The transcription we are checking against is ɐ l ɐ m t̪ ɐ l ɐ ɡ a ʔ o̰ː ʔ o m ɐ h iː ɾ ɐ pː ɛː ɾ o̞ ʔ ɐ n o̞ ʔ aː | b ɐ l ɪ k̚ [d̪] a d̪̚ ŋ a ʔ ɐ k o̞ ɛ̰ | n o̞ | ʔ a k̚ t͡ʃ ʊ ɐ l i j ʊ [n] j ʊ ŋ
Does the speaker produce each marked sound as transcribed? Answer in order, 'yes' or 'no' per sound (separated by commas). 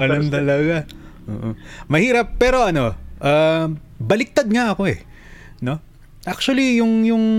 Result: no, no